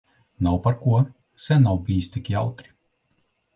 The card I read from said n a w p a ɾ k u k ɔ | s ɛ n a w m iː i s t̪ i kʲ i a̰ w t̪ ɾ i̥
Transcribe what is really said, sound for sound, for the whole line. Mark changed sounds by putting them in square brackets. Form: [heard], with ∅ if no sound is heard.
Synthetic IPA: n a w p a ɾ k u [∅] ɔ | s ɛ n a w [b] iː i s t̪ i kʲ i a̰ w t̪ ɾ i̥